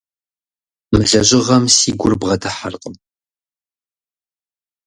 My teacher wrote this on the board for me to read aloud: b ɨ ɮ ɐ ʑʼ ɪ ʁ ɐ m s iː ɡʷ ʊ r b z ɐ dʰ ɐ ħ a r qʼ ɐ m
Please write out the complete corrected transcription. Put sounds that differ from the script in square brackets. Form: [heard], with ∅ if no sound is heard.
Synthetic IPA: [m] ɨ ɮ ɐ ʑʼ ɪ ʁ ɐ m s iː ɡʷ ʊ r b [ʁ] ɐ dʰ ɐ ħ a r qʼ [ə] m